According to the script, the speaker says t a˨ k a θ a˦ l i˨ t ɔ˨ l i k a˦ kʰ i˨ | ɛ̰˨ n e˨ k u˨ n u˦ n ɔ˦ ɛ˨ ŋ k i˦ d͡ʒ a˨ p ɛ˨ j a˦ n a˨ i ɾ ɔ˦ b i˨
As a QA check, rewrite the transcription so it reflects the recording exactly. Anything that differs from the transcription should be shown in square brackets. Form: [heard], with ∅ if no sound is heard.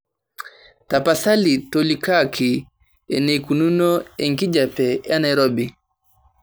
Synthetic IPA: t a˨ [p] a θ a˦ l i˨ t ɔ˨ l i k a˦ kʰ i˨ | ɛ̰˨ n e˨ k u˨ n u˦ n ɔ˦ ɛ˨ ŋ k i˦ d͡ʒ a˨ p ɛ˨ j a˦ n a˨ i ɾ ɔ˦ b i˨